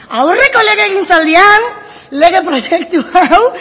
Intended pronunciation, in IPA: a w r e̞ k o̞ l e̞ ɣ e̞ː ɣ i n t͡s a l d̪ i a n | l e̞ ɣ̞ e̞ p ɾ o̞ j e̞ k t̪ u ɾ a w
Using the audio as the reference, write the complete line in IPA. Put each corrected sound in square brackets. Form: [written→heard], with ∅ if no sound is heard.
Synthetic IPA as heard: a w r e̞ k o̞ l e̞ ɣ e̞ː ɣ i n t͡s a l d̪ i a n | l e̞ ɣ̞ e̞ p ɾ o̞ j e̞ k t̪ u [ɾ→∅] a w